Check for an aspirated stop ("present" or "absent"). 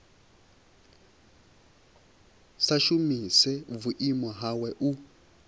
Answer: absent